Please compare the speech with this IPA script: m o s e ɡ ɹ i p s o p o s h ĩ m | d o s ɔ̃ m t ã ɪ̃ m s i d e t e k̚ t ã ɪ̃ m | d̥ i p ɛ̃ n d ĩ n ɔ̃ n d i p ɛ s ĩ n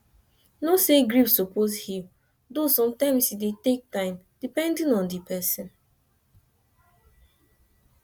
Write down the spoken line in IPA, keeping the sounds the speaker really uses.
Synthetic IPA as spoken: n o s e ɡ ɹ i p s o p o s h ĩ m | d o s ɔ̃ m t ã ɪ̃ m s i d e t e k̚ t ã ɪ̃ m | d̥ i p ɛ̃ n d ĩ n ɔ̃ n d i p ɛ s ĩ n

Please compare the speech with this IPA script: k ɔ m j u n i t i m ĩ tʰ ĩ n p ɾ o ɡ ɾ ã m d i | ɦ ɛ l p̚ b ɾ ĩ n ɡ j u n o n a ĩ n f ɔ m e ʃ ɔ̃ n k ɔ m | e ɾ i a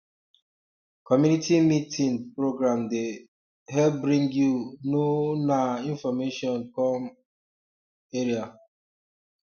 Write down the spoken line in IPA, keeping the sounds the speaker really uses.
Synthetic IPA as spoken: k ɔ m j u n i t i m i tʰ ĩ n p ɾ o ɡ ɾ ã m d e | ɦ ɛ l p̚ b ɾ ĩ ŋ ɡ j u n o n a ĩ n f ɔ m e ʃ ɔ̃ n k ɔ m | e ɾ i a

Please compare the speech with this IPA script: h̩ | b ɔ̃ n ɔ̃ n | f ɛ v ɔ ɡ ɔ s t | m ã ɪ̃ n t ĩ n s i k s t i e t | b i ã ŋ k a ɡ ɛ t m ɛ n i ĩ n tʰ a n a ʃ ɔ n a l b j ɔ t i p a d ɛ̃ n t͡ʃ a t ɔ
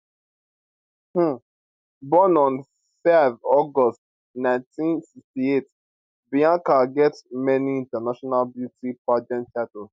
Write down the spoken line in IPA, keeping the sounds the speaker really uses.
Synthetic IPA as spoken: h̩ | b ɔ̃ n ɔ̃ n | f ɛ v ɔ ɡ ɔ s t | n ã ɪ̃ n t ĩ n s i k s t i e t | b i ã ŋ k a ɡ ɛ t m ɛ n i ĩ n t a n a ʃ ɔ n a l b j u t i p a d͡ʒ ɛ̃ n t͡ʃ a t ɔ

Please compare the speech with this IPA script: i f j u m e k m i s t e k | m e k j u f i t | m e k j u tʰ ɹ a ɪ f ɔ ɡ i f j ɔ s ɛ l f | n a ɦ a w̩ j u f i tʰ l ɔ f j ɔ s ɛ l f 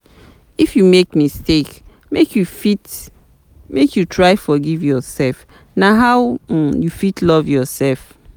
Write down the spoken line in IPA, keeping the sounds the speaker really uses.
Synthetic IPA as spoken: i f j u m e k m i s t e k | m e k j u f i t | m e k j u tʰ ɹ a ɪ f ɔ ɡ i v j ɔ s ɛ l f | n a ɦ a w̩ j u f i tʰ l ɔ v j ɔ s ɛ l f

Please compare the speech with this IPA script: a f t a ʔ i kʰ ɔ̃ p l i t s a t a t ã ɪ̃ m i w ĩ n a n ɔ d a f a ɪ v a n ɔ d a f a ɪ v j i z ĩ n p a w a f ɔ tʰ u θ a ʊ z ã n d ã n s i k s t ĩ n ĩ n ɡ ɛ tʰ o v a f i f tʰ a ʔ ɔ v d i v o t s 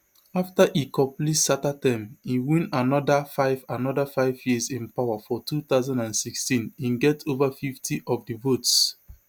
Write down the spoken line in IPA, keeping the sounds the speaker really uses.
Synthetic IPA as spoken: a f t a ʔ i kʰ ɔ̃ p l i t s a t a t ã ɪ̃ m i w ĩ n a n ɔ d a f a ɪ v a n ɔ d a f a ɪ v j i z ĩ n p a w a f ɔ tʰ u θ a ʊ z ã n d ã n s i k s t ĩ n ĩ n ɡ ɛ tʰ o v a f i f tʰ i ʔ ɔ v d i v o t s

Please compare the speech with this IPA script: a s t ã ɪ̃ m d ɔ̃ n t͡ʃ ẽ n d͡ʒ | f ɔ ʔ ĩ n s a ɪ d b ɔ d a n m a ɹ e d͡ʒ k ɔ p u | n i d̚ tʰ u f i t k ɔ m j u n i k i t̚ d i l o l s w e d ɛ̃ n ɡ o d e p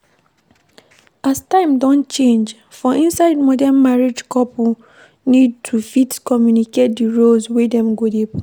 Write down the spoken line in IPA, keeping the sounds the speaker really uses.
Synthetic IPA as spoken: a s t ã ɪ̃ m d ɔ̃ n t͡ʃ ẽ n d͡ʒ | f ɔ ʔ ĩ n s a ɪ d m ɔ d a n m a ɹ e d͡ʒ k ɔ p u | n i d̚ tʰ u f i t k ɔ m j u n i k e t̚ d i ɹ o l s w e d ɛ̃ m ɡ o d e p

